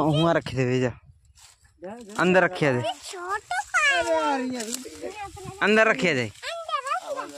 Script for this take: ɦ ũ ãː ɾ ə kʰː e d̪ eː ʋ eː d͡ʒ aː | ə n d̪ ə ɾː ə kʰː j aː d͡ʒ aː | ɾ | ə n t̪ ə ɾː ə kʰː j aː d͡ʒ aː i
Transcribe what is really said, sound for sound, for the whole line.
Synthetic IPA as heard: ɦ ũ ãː ɾ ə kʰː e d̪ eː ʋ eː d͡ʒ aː | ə n d̪ ə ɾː ə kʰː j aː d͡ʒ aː | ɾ | ə n d̪ ə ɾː ə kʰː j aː d͡ʒ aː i